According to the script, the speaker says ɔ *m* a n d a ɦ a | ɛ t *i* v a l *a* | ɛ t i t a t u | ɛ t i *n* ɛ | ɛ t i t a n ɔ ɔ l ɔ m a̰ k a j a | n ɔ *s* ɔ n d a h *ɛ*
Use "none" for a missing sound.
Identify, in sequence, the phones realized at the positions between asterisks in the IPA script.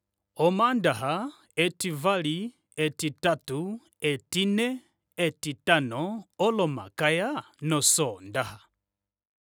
m, i, i, n, s, a

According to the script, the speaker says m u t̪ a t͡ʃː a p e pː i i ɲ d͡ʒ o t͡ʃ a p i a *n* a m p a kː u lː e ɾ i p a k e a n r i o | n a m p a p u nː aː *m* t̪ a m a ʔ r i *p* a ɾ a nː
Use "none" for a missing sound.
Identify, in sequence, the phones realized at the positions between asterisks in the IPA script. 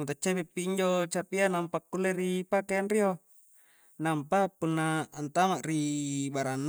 n, n, b

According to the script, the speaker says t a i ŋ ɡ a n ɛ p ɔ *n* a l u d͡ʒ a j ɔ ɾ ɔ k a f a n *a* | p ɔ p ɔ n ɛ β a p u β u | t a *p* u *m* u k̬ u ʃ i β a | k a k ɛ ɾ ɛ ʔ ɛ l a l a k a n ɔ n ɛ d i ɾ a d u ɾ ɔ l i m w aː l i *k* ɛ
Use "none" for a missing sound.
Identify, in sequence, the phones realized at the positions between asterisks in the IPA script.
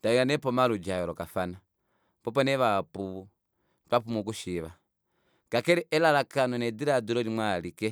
m, a, p, m, k

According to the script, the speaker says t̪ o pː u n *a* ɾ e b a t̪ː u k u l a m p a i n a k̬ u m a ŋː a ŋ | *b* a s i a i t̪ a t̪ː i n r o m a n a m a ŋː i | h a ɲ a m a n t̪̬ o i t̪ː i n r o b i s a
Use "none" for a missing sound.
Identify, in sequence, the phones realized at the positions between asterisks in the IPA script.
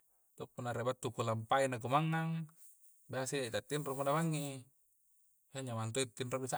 a, b

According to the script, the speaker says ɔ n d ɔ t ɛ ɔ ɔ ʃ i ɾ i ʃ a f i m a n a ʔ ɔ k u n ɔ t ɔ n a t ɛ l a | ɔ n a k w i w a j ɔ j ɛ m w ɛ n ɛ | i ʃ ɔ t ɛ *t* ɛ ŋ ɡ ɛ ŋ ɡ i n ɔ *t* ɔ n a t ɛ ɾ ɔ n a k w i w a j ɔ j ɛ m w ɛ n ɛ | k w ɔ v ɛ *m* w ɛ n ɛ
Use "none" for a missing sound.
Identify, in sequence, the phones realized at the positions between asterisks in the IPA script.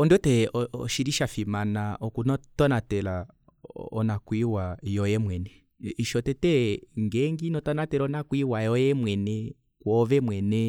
t, t, m

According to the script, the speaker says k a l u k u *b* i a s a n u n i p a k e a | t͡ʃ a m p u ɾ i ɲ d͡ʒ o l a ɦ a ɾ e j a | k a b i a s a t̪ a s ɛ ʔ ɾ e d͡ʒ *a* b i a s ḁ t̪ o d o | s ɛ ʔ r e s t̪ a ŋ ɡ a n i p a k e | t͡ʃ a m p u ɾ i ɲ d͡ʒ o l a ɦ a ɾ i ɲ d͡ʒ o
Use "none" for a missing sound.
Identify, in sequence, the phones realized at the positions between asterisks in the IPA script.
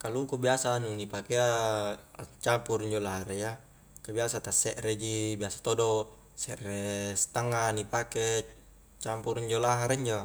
b, i

